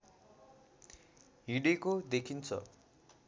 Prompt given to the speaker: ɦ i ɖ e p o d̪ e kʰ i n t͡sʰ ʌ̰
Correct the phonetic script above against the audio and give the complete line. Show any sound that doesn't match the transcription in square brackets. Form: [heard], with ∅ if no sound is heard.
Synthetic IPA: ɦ i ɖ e [k] o d̪ e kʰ i n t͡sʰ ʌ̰